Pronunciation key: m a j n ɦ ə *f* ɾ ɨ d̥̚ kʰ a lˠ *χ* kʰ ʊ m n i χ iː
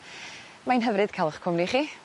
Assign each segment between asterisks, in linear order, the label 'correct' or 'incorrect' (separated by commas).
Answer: incorrect, correct